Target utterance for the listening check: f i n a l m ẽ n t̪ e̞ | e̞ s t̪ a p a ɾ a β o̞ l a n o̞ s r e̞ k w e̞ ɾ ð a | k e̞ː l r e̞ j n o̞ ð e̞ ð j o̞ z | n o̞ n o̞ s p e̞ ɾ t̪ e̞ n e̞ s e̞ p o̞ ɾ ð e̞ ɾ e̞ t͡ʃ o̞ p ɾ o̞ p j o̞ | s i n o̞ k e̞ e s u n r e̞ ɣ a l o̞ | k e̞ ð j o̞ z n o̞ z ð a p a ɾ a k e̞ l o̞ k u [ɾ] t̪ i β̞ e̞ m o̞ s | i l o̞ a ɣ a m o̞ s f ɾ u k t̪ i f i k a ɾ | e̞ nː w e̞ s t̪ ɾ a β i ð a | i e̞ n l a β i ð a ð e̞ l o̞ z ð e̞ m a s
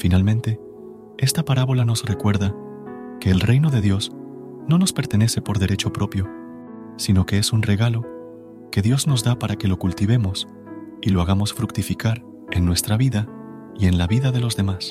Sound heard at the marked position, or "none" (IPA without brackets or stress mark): l